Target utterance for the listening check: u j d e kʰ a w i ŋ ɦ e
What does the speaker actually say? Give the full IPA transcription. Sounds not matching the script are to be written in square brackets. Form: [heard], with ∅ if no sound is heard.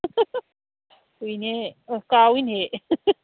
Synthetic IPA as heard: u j [n] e [k] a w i [n] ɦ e